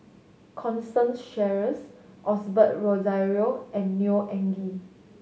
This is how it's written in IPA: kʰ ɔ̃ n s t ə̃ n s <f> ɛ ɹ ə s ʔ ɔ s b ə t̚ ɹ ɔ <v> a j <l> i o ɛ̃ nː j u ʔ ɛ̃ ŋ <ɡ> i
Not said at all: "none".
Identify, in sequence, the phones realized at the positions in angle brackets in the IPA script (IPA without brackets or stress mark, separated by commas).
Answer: ʃ, z, ɹ, ɡ